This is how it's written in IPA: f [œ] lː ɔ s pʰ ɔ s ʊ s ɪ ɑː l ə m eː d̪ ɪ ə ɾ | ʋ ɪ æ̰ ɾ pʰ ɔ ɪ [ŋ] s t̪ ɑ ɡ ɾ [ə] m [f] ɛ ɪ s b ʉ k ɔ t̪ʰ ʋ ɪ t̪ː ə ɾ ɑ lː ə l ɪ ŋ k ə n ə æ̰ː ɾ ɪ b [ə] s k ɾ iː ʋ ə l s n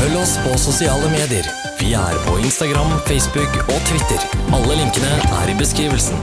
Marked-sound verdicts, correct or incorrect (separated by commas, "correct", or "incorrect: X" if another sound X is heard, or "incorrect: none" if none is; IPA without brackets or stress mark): correct, incorrect: n, incorrect: ɑ, correct, correct